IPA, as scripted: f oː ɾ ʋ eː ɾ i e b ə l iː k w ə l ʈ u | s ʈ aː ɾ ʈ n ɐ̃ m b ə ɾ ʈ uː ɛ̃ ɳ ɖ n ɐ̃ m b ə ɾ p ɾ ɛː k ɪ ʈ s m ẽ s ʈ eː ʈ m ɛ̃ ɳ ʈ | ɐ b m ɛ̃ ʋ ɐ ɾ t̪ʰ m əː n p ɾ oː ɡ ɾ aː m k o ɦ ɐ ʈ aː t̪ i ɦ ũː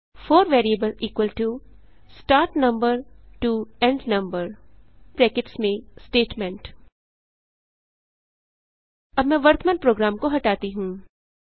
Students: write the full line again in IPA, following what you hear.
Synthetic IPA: f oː ɾ ʋ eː ɾ i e b ə l iː k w ə l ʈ u | s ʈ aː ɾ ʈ n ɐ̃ m b ə ɾ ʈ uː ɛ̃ ɳ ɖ n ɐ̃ m b ə ɾ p ɾ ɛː k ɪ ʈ s m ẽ s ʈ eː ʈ m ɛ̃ ɳ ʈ | ɐ b m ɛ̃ ʋ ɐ ɾ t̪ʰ m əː n p ɾ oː ɡ ɾ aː m k o ɦ ɐ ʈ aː t̪ i ɦ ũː